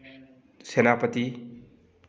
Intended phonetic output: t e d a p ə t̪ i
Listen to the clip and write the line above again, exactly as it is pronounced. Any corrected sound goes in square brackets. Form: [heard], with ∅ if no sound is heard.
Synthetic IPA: [s] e [n] a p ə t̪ i

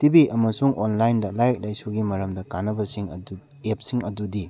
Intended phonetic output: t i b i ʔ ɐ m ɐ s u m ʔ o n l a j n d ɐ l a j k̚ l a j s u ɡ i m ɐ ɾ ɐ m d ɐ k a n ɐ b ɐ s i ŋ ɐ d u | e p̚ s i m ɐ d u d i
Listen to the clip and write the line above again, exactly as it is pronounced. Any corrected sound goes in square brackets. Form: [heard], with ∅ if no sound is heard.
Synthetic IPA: t i b i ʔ ɐ m ɐ s u [ŋ] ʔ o n l a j n d ɐ l a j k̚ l a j s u ɡ i m ɐ ɾ ɐ m d ɐ k a n ɐ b ɐ s i ŋ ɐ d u | e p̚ s i [ŋ] ɐ d u d i

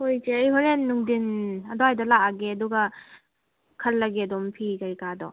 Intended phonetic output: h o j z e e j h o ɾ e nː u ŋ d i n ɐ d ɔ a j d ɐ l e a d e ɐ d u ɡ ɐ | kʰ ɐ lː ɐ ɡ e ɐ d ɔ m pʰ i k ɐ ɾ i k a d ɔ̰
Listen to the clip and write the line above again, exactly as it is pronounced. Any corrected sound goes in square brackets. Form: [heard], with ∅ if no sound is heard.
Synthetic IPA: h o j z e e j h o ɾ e nː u ŋ d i n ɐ d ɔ a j d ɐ l [a] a [ɡ] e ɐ d u ɡ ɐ | kʰ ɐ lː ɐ ɡ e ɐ d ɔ m pʰ i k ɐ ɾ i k a d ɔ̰

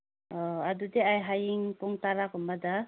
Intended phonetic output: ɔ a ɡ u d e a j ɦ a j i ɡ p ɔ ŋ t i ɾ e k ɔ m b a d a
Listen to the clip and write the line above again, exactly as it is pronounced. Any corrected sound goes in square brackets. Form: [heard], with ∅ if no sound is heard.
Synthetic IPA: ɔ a [d] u d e a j ɦ a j i [ŋ] p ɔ ŋ t [a] ɾ [a] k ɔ m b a d a

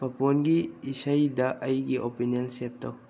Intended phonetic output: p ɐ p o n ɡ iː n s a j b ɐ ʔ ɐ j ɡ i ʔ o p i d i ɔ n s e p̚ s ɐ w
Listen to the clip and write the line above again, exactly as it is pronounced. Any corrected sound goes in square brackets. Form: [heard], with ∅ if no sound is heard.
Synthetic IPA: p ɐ p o n ɡ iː [∅] s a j [d] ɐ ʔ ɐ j ɡ i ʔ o p i [n] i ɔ n s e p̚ [t] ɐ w

